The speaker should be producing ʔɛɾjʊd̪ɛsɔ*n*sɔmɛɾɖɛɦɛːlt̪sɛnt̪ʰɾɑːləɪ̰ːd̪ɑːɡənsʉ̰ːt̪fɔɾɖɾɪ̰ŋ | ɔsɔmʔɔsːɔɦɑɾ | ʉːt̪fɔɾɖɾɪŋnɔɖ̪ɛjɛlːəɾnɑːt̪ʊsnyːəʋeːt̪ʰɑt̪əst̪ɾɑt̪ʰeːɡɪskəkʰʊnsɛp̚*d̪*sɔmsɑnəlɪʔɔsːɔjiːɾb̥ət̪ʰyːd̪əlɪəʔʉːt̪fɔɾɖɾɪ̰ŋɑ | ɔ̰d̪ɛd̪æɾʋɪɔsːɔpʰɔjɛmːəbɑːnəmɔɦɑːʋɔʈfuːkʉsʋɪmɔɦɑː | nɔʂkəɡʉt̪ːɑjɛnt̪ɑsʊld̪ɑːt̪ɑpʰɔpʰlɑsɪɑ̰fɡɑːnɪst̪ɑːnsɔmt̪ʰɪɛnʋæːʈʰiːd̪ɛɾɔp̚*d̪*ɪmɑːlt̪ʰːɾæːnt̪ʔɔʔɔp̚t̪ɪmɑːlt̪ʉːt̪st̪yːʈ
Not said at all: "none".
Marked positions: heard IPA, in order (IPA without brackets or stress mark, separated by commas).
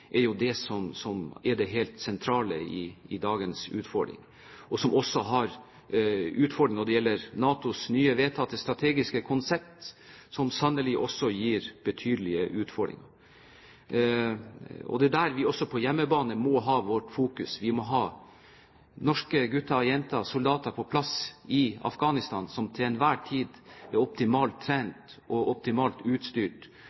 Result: m, t̪, t̪